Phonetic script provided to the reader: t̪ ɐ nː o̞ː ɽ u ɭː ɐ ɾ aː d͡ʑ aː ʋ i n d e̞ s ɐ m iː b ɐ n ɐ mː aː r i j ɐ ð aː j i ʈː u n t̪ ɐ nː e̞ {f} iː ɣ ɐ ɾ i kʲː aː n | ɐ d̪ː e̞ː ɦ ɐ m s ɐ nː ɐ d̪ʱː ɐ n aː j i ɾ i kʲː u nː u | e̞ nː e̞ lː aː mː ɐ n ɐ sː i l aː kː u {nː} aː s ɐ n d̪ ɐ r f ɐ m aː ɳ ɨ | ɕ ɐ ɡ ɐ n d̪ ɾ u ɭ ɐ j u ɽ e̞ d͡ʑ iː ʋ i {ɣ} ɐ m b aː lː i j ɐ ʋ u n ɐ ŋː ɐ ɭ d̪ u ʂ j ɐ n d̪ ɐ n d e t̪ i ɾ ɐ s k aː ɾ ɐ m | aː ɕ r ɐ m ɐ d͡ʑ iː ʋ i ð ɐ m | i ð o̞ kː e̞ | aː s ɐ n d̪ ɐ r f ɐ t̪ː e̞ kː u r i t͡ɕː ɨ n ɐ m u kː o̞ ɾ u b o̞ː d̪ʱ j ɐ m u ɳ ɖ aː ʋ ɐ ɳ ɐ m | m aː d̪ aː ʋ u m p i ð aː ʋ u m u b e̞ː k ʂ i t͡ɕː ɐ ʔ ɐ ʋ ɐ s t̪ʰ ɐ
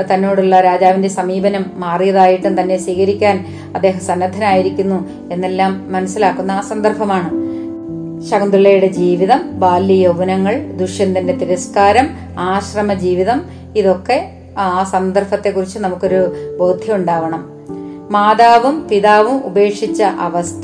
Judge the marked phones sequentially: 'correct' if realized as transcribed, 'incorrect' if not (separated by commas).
incorrect, correct, incorrect